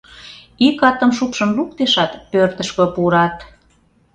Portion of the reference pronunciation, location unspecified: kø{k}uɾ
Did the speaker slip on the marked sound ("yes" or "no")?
yes